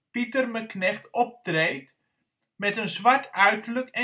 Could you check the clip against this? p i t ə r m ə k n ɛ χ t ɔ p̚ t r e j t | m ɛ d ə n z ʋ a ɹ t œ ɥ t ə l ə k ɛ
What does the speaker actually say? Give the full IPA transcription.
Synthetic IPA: p i t ə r m ə k n ɛ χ t ɔ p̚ t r e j t | m ɛ t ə n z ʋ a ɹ t œ ɥ t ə l ə k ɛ